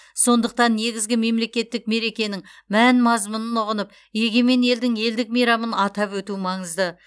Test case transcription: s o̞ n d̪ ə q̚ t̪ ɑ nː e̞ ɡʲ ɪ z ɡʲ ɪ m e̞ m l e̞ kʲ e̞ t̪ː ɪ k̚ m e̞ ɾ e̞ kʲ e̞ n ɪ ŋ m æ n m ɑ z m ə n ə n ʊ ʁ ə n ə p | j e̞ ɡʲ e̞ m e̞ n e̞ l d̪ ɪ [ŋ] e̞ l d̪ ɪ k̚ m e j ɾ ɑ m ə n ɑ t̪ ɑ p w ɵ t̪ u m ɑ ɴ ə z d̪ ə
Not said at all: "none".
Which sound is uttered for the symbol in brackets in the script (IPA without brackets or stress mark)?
ŋ